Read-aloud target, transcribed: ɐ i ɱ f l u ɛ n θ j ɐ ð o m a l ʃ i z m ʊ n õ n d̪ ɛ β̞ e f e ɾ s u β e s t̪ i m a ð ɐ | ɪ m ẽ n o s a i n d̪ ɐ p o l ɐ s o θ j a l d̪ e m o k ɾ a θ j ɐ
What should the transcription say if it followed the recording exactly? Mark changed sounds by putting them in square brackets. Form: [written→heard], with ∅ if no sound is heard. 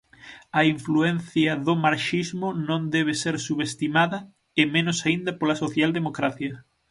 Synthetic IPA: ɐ i ɱ f l u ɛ n θ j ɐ ð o m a [l→ɾ] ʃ i z m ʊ n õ n d̪ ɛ β̞ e [f→s] e ɾ s u β e s t̪ i m a ð ɐ | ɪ m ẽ n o s a i n d̪ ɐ p o l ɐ s o θ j a l d̪ e m o k ɾ a θ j ɐ